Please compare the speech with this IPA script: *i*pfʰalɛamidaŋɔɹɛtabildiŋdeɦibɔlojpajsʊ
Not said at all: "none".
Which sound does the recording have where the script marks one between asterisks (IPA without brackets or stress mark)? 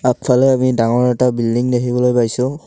a